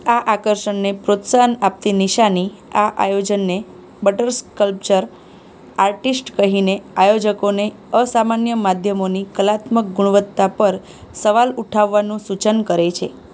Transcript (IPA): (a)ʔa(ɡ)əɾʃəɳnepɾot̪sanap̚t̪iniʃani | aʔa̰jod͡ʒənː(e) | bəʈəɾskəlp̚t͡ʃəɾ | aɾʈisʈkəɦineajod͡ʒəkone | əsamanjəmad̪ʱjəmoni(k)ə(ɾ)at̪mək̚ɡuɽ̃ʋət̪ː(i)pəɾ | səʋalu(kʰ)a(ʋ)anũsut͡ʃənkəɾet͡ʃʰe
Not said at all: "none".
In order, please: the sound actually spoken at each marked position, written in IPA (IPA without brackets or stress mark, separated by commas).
a, k, e, k, l, a, ʈʰ, ʋː